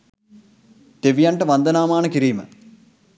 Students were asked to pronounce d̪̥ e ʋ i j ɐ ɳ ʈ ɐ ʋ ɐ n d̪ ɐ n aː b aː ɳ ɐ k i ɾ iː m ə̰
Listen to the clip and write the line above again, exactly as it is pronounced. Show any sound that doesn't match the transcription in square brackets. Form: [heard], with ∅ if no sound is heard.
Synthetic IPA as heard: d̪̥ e ʋ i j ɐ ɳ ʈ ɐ ʋ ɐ n d̪ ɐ n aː [m] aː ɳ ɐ k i ɾ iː m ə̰